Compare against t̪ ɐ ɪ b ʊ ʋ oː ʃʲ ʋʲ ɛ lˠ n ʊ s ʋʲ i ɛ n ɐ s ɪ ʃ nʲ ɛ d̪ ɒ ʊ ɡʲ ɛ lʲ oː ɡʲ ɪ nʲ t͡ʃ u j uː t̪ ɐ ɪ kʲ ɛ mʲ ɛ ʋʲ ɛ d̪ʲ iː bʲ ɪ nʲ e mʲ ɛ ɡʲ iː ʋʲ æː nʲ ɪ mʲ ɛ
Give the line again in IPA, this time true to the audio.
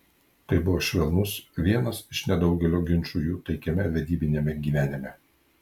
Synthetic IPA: t̪ ɐ ɪ b ʊ ʋ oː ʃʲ ʋʲ ɛ lˠ n ʊ s ʋʲ i ɛ n ɐ s ɪ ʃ nʲ ɛ d̪ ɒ ʊ ɡʲ ɛ lʲ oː ɡʲ ɪ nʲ t͡ʃ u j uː t̪ ɐ ɪ kʲ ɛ mʲ ɛ ʋʲ ɛ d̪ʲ iː bʲ ɪ nʲ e mʲ ɛ ɡʲ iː ʋʲ æː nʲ ɪ mʲ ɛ